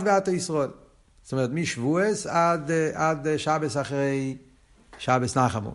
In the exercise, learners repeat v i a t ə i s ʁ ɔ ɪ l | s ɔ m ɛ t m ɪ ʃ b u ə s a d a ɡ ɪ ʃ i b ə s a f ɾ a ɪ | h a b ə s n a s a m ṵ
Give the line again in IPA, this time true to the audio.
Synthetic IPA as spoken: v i a t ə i s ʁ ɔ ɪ l | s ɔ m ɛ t m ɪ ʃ v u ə s a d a d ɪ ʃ a b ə s a χ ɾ e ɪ | ʃ a b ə s n a χ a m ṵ